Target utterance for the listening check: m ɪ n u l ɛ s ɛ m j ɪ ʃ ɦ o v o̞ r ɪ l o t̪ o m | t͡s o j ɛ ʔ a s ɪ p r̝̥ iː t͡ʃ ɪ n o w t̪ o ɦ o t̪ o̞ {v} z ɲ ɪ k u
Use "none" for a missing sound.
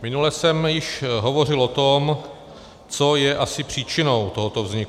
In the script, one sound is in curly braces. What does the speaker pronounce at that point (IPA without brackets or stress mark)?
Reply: v